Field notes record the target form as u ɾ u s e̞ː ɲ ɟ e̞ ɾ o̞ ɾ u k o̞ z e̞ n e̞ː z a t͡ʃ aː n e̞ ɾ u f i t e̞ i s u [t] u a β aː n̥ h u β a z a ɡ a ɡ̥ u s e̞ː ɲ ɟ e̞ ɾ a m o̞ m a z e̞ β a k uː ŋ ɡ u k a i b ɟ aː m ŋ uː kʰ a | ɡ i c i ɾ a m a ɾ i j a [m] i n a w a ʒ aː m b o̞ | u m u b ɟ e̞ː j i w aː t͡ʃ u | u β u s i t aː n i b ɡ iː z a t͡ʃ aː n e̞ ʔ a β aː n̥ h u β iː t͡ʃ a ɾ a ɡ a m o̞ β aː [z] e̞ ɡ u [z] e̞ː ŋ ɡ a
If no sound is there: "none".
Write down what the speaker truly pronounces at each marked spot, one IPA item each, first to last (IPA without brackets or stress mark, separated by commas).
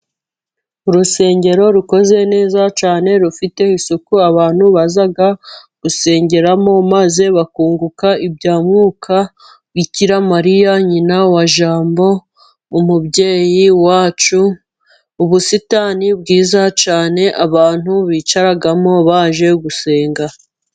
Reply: k, ɲ, ʒ, s